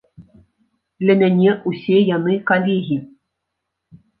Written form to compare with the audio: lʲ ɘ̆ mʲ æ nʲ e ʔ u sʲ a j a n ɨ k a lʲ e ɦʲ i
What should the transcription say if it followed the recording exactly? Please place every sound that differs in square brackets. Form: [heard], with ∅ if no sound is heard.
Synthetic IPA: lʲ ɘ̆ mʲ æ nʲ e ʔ u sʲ [e] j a n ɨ k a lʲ e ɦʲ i